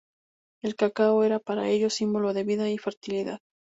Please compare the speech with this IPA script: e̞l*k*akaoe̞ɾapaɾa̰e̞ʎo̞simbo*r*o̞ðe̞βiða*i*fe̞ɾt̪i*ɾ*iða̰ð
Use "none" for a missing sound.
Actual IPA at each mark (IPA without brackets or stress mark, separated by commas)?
k, l, i, l